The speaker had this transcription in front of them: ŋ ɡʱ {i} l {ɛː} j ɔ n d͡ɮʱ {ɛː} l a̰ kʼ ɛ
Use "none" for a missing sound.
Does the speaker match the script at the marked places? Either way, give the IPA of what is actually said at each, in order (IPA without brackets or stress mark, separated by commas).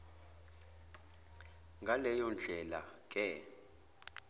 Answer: a, ɛ, ɛ